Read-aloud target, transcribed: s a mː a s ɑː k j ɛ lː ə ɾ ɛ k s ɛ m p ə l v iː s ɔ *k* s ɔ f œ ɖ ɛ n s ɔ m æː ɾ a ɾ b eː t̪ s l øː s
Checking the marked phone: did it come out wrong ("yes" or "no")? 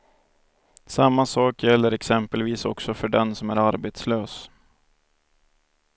no